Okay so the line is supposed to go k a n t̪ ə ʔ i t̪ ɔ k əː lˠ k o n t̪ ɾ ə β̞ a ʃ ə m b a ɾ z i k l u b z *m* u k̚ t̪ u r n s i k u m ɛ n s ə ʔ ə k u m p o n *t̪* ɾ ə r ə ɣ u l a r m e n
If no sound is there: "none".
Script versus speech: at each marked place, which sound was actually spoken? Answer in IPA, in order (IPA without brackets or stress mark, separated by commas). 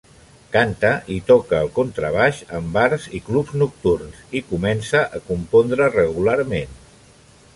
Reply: n, d̪